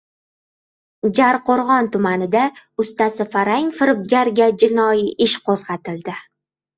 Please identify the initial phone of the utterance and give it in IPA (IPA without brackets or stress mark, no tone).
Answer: d͡ʒ